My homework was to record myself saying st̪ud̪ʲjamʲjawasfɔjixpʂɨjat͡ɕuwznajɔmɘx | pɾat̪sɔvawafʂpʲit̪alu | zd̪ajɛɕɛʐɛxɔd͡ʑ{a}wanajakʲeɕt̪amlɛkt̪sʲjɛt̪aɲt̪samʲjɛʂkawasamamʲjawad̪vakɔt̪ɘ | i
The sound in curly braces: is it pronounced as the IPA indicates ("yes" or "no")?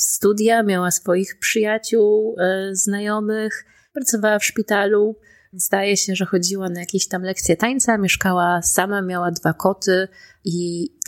no